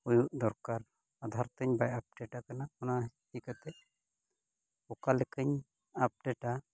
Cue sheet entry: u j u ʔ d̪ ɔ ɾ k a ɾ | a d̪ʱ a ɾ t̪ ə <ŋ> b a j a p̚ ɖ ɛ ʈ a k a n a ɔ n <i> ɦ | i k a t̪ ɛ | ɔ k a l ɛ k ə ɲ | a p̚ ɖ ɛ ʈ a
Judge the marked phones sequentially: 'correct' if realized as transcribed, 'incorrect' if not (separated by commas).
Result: incorrect, incorrect